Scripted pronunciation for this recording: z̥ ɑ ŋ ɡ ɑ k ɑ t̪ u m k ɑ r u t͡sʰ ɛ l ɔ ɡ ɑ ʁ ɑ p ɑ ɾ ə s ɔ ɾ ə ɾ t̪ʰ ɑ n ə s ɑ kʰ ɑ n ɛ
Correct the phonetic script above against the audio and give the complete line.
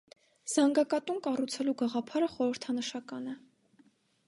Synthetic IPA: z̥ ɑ ŋ ɡ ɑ k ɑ t̪ u m k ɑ r u t͡sʰ ɛ l u ɡ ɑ ʁ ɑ pʰ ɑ ɾ ə χ ɔ ɾ ə ɾ t̪ʰ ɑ n ə ʃ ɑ k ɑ n ɛ